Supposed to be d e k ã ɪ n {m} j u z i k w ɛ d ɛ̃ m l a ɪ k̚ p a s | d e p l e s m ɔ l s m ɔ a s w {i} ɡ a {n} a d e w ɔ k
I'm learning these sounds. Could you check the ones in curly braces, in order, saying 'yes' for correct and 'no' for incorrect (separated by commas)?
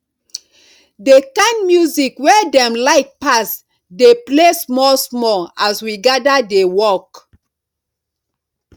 yes, yes, no